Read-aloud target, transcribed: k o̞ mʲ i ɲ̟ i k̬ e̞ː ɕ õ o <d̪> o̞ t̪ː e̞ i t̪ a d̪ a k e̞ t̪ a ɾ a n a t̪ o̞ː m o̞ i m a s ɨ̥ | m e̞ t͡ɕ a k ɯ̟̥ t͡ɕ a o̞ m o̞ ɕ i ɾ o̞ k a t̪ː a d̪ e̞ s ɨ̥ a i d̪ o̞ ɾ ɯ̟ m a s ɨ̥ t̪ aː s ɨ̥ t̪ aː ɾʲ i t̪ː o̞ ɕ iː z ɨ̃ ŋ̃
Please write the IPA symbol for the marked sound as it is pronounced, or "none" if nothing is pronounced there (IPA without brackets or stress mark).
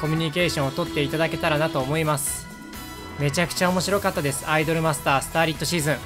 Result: t̪